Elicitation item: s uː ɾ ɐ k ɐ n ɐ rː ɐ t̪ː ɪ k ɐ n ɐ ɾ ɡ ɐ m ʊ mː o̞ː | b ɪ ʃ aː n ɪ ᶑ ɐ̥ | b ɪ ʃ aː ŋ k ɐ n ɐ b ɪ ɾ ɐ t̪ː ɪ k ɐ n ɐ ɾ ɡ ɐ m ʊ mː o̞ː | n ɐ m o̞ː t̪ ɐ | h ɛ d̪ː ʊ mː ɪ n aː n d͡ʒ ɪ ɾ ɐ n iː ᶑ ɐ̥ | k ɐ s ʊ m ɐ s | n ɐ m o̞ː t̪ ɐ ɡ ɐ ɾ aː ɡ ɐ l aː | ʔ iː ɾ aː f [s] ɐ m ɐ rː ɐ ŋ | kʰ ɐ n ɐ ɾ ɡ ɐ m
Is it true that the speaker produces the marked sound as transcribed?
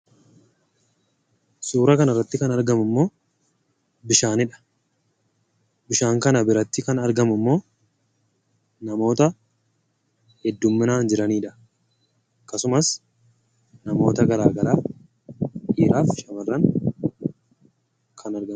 no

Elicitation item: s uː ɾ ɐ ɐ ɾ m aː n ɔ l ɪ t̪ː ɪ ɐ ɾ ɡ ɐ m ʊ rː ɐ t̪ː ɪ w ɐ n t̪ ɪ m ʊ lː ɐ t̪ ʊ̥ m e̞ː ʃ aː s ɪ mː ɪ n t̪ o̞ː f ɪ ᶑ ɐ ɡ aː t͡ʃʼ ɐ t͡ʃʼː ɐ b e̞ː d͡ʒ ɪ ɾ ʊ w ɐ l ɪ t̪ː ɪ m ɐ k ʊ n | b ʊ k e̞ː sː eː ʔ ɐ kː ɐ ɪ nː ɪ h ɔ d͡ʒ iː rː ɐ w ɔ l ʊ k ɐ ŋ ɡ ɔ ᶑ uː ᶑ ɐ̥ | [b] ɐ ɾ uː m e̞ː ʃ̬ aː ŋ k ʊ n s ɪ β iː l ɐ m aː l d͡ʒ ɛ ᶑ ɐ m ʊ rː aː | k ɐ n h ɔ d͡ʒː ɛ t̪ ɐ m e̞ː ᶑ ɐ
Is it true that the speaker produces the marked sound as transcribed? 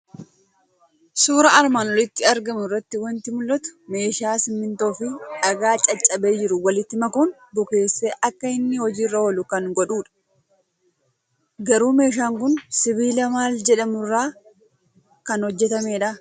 no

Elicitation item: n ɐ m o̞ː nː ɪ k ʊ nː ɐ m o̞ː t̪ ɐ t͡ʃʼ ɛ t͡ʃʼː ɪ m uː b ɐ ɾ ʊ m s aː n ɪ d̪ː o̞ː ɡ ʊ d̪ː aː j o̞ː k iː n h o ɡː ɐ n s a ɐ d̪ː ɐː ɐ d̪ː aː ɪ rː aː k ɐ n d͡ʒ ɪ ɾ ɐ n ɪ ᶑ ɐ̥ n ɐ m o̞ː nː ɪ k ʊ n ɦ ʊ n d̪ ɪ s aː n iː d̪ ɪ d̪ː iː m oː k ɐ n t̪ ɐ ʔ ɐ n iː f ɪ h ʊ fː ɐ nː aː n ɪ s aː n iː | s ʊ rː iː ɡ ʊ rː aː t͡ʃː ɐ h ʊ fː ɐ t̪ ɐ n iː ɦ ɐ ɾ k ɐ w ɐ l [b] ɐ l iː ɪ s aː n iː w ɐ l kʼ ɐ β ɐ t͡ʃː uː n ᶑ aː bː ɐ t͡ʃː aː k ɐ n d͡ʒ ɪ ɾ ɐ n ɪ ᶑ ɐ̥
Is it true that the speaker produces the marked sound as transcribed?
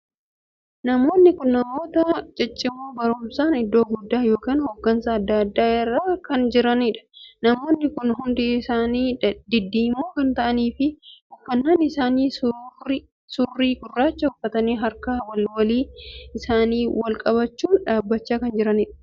no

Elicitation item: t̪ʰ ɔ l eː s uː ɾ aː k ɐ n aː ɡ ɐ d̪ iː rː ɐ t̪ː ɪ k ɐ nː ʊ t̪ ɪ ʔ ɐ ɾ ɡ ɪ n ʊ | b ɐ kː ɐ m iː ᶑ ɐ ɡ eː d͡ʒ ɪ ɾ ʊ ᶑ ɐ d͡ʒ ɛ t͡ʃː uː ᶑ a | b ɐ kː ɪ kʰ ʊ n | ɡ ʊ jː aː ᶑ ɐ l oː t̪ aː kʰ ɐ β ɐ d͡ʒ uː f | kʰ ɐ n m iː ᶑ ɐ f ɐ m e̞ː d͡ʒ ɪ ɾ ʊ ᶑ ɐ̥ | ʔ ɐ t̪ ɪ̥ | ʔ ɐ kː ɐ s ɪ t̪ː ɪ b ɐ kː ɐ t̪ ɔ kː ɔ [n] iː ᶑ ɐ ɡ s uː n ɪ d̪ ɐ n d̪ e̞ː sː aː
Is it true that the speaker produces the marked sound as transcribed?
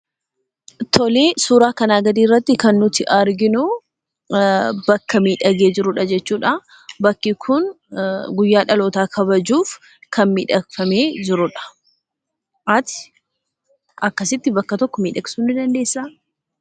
no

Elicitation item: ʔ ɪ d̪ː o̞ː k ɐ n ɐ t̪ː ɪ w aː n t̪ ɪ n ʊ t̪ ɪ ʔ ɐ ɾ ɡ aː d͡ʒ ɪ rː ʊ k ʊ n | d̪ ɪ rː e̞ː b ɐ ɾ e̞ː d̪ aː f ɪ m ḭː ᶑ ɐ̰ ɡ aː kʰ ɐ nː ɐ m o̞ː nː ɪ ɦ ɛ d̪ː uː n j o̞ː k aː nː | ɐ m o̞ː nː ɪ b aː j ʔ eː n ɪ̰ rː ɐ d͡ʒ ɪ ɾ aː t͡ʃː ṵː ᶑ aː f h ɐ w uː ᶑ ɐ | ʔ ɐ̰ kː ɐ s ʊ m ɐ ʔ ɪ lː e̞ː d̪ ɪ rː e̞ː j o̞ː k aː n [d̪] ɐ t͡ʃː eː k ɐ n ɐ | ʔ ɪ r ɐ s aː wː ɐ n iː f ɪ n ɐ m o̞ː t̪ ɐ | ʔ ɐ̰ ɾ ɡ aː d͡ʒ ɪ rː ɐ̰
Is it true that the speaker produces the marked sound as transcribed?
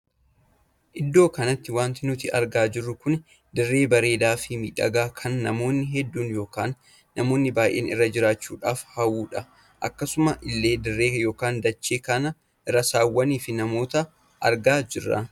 yes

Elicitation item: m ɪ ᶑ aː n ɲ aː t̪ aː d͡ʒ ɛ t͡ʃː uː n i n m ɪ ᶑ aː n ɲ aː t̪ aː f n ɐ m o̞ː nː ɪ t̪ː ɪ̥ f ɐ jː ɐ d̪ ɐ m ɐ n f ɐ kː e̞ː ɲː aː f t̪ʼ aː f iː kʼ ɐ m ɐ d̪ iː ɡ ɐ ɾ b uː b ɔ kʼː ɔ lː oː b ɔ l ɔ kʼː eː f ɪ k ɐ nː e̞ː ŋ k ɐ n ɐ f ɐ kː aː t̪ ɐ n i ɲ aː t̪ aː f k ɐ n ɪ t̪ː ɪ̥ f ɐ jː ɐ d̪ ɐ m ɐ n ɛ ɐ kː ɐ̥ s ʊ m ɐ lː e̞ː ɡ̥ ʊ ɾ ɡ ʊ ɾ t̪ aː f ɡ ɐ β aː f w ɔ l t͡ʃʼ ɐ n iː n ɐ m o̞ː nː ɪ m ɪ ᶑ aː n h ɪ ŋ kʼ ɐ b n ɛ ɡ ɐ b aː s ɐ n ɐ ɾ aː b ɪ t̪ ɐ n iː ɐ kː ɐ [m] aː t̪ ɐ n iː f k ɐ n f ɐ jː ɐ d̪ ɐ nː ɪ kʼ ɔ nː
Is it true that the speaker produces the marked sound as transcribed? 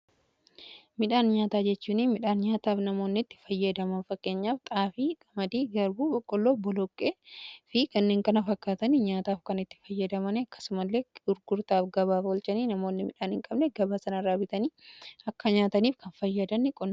no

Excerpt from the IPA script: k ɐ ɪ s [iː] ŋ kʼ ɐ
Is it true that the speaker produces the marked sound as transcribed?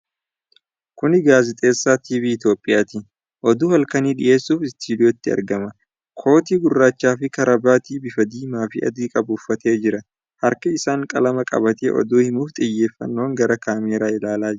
no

